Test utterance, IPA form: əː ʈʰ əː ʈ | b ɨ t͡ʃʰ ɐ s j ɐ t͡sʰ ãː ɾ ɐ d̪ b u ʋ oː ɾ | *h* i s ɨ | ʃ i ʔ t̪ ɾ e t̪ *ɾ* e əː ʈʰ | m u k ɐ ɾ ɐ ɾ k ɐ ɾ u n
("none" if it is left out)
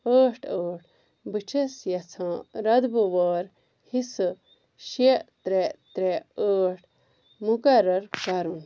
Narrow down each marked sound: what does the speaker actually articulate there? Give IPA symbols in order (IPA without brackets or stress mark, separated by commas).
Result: h, ɾ